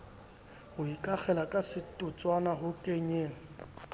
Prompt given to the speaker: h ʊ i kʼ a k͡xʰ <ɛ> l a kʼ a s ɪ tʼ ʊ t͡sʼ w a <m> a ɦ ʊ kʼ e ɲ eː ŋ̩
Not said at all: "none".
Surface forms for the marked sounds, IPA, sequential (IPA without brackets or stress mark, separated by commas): ɛ, n